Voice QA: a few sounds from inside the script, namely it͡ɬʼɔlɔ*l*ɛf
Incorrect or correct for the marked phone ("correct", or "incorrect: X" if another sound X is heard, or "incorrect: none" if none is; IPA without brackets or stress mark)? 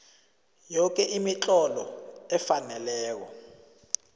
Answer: incorrect: none